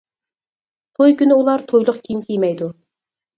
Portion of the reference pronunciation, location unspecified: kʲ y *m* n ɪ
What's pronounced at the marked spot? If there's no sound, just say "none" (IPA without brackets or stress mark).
none